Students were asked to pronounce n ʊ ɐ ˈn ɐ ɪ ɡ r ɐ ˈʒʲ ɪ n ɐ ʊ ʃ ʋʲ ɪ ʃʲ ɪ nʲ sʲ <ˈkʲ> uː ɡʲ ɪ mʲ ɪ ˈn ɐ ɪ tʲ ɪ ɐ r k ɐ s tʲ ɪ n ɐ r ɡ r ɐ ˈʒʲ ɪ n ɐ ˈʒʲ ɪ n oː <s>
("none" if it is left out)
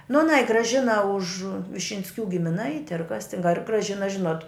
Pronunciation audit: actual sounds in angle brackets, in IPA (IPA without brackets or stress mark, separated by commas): kʲ, t